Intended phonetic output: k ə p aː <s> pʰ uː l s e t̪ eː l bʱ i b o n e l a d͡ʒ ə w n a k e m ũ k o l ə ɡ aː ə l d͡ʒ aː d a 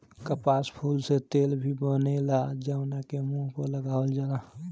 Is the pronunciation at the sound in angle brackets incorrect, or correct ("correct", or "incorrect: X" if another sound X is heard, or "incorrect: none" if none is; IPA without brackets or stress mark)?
correct